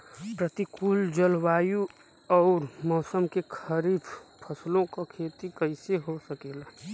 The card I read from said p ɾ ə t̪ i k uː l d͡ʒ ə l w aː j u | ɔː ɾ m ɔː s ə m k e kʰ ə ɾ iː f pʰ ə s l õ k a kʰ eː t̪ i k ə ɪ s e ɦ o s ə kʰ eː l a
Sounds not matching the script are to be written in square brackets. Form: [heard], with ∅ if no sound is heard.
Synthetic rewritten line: p ɾ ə t̪ i k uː l d͡ʒ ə l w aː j u | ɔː ɾ m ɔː s ə m k e kʰ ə ɾ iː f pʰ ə s l õ k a kʰ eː t̪ i k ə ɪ s e ɦ o s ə [k] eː l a